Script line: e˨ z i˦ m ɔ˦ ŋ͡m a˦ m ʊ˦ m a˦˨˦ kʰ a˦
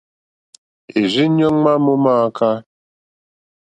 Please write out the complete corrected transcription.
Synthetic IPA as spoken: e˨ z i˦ ɲ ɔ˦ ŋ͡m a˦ m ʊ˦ m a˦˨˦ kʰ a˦